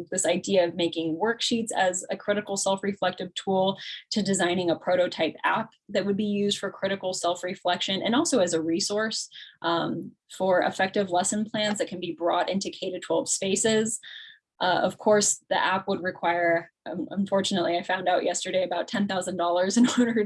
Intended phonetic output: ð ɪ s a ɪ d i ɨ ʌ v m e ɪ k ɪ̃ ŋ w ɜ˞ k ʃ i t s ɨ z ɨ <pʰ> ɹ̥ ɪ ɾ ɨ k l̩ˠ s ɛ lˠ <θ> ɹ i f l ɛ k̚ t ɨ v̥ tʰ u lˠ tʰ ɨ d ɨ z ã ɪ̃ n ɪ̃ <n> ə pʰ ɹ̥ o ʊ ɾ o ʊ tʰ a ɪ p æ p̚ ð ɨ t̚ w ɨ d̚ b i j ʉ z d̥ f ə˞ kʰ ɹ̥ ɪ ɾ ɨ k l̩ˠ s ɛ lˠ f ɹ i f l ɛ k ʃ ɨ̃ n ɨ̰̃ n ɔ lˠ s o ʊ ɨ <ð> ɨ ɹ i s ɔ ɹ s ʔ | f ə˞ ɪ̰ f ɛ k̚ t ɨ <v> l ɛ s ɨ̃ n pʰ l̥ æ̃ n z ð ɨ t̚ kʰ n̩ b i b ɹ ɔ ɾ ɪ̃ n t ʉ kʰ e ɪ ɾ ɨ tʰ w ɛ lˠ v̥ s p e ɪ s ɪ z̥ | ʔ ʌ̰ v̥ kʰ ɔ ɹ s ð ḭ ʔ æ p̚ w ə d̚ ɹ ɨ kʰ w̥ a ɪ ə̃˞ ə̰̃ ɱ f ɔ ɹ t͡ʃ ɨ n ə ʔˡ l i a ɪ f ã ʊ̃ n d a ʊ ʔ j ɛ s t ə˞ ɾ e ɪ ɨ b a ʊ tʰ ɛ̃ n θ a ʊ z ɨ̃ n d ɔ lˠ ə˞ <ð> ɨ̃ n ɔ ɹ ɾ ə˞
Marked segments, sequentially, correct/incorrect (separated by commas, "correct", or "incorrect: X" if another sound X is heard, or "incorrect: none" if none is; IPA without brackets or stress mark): incorrect: kʰ, incorrect: f, incorrect: ŋ, incorrect: z, correct, incorrect: z